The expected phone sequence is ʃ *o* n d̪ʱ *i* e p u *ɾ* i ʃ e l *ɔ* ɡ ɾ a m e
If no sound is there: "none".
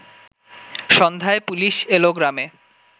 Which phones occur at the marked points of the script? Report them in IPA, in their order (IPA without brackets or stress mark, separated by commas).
ɔ, a, l, o